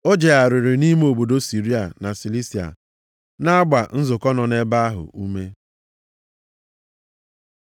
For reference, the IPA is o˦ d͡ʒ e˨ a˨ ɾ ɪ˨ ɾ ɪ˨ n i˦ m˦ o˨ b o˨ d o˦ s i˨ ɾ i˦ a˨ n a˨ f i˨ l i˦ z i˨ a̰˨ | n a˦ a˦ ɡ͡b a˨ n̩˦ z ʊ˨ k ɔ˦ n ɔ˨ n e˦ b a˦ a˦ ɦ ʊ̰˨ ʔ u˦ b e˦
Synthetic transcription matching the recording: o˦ d͡ʒ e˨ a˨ ɾ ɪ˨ ɾ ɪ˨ n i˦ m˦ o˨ b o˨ d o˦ s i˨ ɾ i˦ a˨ n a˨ s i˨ l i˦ s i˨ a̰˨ | n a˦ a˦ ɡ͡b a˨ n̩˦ z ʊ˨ k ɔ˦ n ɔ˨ n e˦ b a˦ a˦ ɦ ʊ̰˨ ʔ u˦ m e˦